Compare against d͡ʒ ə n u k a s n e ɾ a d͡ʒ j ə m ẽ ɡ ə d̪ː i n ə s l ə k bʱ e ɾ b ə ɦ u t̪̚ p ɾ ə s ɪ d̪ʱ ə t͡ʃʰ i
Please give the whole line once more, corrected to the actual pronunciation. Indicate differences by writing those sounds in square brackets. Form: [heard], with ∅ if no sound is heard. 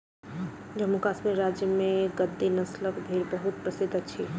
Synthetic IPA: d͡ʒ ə [m] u k a s [m] e ɾ a d͡ʒ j ə m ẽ ɡ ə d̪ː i n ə s l ə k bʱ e ɾ b ə ɦ u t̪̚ p ɾ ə s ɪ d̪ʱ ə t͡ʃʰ i